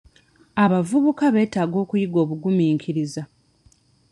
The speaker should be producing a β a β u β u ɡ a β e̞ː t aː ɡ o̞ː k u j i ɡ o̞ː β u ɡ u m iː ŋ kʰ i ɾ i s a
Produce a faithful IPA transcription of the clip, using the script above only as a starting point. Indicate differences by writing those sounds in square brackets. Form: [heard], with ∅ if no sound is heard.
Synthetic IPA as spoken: a β a [v] u β u [k] a β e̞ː t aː ɡ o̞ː k u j i ɡ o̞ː β u ɡ u m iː ŋ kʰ i ɾ i [z] a